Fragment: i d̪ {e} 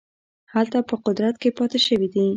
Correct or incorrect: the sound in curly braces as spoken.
incorrect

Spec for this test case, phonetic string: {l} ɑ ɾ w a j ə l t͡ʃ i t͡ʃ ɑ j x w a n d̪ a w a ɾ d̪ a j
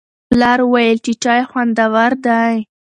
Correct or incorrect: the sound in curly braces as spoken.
correct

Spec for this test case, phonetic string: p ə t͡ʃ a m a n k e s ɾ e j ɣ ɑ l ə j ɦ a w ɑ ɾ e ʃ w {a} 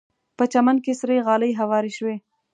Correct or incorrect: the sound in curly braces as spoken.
incorrect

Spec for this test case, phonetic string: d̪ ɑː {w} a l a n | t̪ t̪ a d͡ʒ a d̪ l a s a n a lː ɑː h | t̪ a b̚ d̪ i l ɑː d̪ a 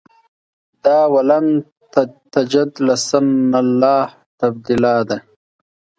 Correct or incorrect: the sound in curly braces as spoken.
correct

